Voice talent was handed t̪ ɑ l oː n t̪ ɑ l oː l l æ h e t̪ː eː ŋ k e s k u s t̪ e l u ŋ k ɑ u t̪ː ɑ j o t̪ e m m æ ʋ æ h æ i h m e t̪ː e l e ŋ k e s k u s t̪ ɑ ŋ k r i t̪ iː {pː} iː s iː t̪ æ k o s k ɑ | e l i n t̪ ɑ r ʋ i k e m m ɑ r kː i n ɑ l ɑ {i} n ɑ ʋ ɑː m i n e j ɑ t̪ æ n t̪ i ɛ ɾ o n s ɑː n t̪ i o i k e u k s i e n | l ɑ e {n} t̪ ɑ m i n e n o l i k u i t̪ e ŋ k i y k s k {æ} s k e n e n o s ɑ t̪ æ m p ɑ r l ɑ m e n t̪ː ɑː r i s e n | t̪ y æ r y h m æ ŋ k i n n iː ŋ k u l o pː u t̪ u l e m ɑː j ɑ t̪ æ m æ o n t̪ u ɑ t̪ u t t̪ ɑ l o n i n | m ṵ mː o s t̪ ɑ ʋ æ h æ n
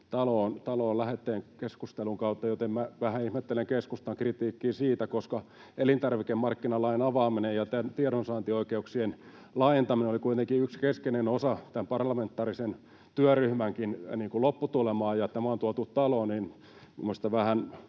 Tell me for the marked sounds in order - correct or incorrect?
incorrect: kː, correct, correct, incorrect: e

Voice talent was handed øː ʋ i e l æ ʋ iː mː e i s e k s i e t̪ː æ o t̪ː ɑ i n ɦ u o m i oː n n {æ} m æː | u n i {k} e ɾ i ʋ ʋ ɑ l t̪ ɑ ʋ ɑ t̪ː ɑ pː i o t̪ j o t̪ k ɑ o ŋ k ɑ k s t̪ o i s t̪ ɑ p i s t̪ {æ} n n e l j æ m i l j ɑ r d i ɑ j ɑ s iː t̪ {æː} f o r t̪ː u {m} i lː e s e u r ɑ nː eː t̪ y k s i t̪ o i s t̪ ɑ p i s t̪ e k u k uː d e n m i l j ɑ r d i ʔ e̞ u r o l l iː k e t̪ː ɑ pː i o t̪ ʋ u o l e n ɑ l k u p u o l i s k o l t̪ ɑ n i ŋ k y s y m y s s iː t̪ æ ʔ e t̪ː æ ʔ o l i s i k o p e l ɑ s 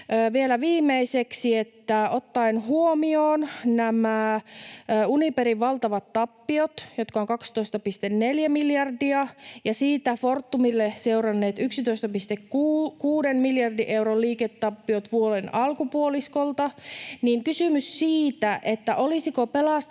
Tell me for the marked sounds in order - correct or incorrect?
correct, incorrect: p, incorrect: e, incorrect: æ, correct

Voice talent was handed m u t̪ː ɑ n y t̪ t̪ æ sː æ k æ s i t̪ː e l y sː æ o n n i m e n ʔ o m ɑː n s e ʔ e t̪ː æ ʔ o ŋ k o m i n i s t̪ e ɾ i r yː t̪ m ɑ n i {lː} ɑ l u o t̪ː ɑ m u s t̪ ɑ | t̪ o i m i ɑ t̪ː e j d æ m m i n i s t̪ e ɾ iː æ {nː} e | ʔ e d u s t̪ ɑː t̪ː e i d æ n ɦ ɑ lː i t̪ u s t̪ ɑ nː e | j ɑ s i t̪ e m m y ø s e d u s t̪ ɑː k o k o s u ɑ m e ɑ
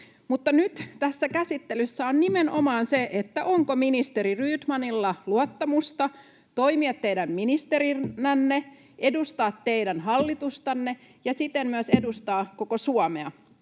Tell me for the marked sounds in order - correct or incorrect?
correct, correct

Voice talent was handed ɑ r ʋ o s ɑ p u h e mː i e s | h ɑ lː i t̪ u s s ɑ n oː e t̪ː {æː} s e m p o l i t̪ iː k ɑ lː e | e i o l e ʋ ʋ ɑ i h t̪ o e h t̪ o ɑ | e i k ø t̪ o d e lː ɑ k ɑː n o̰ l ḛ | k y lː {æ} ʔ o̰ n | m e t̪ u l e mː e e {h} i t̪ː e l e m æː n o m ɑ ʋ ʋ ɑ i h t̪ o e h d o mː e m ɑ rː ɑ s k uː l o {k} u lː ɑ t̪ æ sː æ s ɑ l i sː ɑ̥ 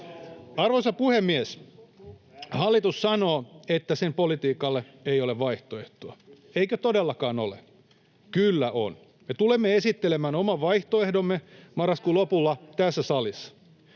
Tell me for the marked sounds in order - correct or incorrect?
incorrect: æ, correct, incorrect: s, incorrect: p

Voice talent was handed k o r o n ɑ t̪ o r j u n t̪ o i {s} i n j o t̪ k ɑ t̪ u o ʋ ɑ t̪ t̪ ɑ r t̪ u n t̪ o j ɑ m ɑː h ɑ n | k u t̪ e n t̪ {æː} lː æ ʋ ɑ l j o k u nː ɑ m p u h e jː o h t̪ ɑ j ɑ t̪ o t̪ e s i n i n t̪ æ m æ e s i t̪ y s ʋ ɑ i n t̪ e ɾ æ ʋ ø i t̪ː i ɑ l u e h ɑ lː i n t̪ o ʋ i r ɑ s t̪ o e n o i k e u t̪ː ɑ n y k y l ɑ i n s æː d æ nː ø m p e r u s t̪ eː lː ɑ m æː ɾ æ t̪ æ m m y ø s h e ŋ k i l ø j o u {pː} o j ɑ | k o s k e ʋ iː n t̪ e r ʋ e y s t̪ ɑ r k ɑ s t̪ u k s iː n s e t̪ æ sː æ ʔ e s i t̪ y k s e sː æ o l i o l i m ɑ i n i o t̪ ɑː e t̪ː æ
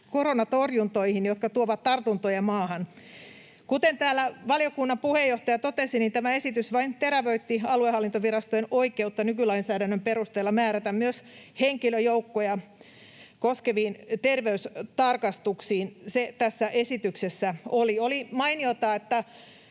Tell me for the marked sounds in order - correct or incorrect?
incorrect: h, correct, incorrect: kː

